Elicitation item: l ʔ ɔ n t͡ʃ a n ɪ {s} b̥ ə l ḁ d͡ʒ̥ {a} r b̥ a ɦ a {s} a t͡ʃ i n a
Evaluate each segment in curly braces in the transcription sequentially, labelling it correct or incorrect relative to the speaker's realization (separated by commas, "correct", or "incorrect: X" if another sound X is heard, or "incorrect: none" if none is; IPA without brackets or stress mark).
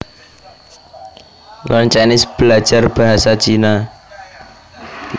correct, correct, correct